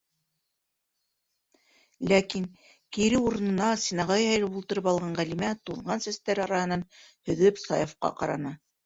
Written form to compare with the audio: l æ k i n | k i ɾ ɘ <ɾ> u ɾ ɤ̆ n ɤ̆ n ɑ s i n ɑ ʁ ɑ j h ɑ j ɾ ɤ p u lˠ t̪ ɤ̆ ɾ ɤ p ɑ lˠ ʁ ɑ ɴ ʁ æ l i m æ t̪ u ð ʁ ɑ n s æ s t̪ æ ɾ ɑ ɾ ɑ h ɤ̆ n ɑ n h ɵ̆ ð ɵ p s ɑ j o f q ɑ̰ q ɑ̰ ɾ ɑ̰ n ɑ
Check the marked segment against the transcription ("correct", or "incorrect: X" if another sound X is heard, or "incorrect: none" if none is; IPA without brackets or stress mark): incorrect: none